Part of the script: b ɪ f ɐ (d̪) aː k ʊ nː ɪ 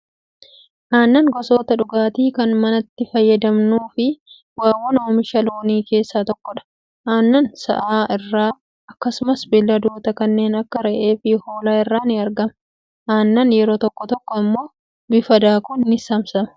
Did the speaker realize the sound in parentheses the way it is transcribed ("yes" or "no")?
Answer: yes